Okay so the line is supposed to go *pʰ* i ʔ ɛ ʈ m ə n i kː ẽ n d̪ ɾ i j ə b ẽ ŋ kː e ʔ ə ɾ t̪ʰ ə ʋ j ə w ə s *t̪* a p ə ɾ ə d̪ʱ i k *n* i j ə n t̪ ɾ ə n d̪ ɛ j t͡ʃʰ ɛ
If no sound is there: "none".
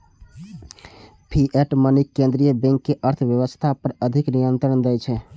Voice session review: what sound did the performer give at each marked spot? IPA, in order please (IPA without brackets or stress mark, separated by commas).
pʰ, t̪ʰ, n